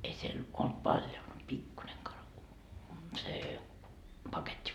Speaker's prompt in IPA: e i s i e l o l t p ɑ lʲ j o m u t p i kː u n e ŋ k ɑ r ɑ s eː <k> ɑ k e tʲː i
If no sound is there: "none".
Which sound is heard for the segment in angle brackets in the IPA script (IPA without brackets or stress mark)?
p